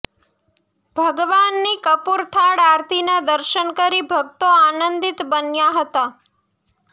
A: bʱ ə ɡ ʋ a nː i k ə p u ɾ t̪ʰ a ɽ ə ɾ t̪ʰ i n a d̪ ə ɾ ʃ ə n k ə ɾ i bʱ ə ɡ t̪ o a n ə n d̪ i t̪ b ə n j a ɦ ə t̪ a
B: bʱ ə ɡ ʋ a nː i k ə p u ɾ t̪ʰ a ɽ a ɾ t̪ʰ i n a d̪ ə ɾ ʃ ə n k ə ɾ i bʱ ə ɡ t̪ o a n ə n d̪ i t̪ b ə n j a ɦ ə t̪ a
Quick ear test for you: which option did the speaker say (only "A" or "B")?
B